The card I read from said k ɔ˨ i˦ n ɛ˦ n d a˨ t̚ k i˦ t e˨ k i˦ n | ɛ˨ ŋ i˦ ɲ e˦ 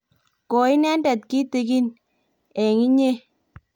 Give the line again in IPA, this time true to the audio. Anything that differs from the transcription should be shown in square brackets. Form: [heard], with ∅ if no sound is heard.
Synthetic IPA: k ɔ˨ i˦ n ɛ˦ n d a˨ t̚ k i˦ t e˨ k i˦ n | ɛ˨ ŋ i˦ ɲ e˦